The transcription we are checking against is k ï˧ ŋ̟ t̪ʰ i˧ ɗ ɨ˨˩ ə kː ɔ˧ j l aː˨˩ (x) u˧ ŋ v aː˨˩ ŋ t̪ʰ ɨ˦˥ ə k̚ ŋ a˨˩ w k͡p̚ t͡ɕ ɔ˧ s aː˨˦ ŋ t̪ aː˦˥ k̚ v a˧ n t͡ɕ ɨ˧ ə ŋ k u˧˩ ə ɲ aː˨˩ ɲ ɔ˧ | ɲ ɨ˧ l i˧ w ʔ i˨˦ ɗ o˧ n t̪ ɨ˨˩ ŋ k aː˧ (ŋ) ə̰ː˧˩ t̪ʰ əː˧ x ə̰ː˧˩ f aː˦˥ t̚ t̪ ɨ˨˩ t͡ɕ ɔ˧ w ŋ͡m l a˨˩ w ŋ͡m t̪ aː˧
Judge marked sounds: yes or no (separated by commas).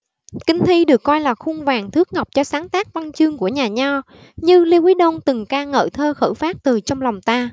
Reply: yes, yes